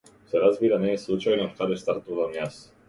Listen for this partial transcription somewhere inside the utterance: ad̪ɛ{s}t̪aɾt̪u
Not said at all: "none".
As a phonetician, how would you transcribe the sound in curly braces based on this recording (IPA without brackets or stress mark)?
s